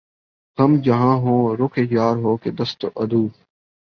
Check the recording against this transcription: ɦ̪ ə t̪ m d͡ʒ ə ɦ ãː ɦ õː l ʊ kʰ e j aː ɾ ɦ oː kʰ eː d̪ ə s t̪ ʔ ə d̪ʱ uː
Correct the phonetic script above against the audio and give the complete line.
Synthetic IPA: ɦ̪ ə m d͡ʒ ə ɦ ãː ɦ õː ɾ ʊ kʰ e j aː ɾ ɦ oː k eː d̪ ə s t̪ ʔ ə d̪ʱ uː

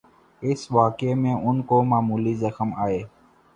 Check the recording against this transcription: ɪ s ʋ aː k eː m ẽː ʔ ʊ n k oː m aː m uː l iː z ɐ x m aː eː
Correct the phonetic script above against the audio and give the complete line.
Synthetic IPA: ɪ s ʋ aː k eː m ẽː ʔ ʊ n k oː m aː m uː l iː z ə x m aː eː

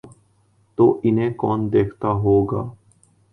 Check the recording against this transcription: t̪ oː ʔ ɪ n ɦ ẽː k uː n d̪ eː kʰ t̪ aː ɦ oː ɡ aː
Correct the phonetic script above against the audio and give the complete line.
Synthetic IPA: t̪ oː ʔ ɪ n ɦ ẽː k ɔː n d̪ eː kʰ t̪ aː ɦ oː ɡ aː

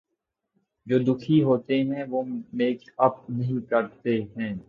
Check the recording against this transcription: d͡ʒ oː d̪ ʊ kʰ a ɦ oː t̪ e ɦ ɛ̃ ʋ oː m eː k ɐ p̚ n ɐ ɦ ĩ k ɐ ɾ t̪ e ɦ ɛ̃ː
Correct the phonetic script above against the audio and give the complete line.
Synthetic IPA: d͡ʒ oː d̪ ʊ kʰ i ɦ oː t̪ e ɦ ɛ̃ ʋ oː m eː k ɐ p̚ n ɐ ɦ ĩ k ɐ ɾ t̪ e ɦ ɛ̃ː

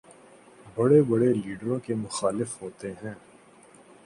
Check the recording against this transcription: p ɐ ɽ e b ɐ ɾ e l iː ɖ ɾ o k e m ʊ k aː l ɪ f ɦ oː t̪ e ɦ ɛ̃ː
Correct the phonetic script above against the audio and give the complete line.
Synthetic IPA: b ɐ ɽ e b ɐ ɽ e l iː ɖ ɾ õ k e m ʊ x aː l ɪ f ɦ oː t̪ e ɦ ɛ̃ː

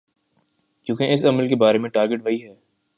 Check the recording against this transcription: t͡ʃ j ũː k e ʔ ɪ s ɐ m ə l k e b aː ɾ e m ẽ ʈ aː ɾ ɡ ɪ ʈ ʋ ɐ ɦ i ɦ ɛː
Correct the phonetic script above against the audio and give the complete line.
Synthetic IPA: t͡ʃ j ũː k e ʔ ɪ s ɐ m ə l k e b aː ɾ e m ẽ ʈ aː ɾ ɡ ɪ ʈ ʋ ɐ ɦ i ɦ ɛː

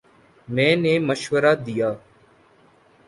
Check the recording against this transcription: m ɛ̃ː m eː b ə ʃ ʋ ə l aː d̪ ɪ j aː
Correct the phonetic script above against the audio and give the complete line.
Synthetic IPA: m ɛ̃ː n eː m ə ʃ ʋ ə ɾ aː d̪ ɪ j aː

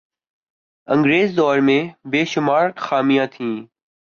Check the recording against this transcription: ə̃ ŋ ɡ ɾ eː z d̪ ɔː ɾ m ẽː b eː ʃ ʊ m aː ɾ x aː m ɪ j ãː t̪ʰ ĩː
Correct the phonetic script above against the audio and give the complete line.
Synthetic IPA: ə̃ ŋ ɡ ɾ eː z d̪ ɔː ɾ m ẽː b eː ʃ ʊ m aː ɾ x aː m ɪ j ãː t̪ʰ ĩː

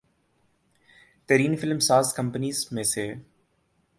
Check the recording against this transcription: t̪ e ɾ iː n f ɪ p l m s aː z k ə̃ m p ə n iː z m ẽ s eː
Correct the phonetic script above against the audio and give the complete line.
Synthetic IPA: t̪ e ɾ iː n f ɪ l m s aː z k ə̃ m p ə n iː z m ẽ s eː

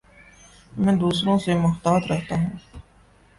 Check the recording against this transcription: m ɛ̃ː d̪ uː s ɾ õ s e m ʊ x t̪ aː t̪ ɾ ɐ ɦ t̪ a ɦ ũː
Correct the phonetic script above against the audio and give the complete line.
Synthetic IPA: m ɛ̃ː d̪ uː s ɾ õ s e m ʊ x t̪ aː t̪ ɾ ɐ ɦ t̪ a ɦ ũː

